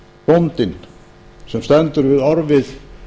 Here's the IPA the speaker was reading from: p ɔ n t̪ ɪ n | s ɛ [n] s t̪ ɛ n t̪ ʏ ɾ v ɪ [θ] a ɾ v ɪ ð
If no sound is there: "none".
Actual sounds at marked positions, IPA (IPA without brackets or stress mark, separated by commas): m, ð